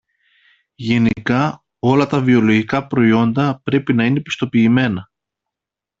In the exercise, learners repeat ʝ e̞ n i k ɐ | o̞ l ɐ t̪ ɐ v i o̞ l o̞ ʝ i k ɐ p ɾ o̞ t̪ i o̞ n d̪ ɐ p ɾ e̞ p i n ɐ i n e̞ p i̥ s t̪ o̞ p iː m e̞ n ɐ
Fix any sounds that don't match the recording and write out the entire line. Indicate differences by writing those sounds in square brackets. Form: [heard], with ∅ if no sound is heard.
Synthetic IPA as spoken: ʝ e̞ n i k ɐ | o̞ l ɐ t̪ ɐ v i o̞ l o̞ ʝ i k ɐ p ɾ o̞ [∅] i o̞ n d̪ ɐ p ɾ e̞ p i n ɐ i n e̞ p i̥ s t̪ o̞ p iː m e̞ n ɐ

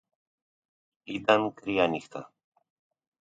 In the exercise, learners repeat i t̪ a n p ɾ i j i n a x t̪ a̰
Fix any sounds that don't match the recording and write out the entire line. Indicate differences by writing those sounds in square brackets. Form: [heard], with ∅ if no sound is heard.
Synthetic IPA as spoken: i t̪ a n [k] ɾ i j [a] n [i] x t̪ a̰

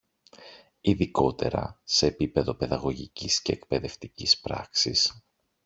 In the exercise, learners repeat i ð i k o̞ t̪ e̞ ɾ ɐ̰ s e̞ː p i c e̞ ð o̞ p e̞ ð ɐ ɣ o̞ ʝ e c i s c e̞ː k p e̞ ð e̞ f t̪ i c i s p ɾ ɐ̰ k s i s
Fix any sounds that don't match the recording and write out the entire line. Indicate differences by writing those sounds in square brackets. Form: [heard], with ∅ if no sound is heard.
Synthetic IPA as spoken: i ð i k o̞ t̪ e̞ ɾ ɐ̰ s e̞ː p i [p] e̞ ð o̞ p e̞ ð ɐ ɣ o̞ ʝ [i] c i s c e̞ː k p e̞ ð e̞ f t̪ i c i s p ɾ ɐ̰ k s i s

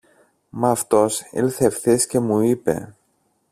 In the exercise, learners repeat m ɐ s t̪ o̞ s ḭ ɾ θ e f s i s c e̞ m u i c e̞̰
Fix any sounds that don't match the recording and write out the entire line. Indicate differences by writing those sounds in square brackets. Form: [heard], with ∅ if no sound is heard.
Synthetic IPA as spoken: m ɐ [f] t̪ o̞ s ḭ [l] θ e f [θ] i s c e̞ m u i [p] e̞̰

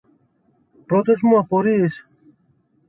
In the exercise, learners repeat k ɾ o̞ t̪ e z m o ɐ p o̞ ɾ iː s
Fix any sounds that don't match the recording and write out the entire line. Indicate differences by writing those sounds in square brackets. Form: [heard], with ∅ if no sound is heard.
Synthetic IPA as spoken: [p] ɾ o̞ t̪ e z m [u] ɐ p o̞ ɾ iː s

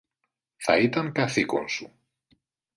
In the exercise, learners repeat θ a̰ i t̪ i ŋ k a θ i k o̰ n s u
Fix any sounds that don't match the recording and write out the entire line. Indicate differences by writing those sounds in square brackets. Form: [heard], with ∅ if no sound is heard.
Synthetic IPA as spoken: θ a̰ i t̪ [a] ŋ k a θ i k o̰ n s u

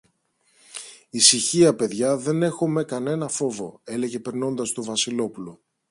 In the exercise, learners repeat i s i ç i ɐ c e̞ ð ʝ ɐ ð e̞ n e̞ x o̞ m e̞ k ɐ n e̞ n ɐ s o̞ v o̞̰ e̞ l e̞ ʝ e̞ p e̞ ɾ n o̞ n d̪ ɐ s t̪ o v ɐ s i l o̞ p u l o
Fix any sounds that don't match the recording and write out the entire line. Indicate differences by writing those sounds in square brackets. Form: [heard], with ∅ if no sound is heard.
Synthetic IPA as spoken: i s i ç i ɐ [p] e̞ ð ʝ ɐ ð e̞ n e̞ x o̞ m e̞ k ɐ n e̞ n ɐ [f] o̞ v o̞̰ e̞ l e̞ ʝ e̞ p e̞ ɾ n o̞ n d̪ ɐ s t̪ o v ɐ s i l o̞ p u l o

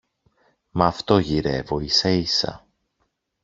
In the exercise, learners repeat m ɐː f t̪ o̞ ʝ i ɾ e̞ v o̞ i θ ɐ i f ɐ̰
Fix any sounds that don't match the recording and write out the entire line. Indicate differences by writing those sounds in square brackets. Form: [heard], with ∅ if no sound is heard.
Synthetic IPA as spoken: m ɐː f t̪ o̞ ʝ i ɾ e̞ v o̞ i [s] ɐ i [s] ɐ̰

